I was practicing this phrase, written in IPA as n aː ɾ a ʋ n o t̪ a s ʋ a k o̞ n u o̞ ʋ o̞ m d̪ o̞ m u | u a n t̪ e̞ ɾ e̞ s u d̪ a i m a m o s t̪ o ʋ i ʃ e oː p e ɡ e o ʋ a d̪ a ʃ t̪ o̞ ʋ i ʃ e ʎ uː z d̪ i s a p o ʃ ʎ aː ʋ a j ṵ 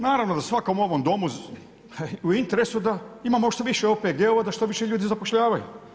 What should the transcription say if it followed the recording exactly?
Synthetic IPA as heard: n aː ɾ a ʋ n o d̪ a s ʋ a k o̞ m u o̞ ʋ o̞ m d̪ o̞ m u | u i n t̪ e̞ ɾ e̞ s u d̪ a i m a m o ʃ t̪ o ʋ i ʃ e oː p e ɡ e o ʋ a d̪ a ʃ t̪ o̞ ʋ i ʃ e ʎ uː d̪ i z a p o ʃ ʎ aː ʋ a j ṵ